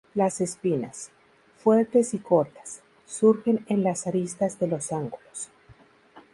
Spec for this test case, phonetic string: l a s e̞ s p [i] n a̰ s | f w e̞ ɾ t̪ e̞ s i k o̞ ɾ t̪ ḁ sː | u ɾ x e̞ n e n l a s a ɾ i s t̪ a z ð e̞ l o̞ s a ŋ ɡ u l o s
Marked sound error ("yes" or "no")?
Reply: no